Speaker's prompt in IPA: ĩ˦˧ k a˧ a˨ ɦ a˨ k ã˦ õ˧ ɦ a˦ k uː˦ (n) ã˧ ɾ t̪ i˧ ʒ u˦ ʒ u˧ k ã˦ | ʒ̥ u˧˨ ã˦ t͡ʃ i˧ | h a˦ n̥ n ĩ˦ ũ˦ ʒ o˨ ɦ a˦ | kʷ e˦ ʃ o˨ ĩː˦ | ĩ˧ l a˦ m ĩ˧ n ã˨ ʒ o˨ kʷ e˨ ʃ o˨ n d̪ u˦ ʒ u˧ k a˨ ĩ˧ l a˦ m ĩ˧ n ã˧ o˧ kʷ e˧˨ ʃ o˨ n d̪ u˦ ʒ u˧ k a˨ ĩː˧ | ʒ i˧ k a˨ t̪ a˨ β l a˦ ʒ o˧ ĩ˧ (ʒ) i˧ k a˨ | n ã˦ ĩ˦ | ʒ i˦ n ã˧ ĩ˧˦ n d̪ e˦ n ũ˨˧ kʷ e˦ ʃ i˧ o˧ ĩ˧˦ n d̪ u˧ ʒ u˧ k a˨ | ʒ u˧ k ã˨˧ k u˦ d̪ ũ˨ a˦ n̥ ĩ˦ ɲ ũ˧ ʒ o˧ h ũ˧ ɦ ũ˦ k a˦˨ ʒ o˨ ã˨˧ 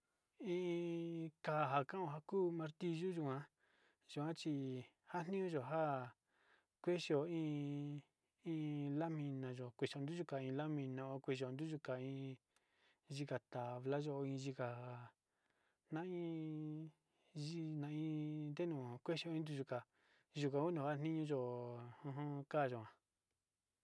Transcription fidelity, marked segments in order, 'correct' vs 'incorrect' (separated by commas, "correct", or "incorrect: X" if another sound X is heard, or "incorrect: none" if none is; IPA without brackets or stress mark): incorrect: m, correct